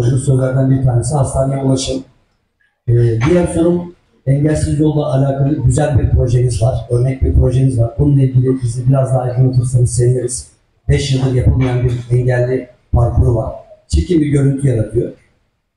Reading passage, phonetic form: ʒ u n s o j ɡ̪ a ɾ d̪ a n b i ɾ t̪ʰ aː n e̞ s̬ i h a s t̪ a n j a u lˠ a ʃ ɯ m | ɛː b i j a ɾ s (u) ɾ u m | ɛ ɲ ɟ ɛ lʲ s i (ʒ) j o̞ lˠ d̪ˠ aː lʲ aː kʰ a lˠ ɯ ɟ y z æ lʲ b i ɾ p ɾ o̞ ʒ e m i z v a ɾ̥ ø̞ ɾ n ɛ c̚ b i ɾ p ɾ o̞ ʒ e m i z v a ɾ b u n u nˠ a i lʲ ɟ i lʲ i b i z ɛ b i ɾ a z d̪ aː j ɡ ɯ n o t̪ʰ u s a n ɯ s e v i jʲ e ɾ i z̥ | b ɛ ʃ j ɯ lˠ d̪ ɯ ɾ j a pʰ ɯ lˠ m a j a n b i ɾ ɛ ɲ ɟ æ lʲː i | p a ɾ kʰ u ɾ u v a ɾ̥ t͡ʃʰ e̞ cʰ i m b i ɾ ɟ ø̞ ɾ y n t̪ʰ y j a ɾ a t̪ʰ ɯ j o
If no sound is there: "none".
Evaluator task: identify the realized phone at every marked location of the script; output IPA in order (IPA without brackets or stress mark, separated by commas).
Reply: o, z